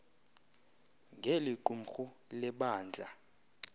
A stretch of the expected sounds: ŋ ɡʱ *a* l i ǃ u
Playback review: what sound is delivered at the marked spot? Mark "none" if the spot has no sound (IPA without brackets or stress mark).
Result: e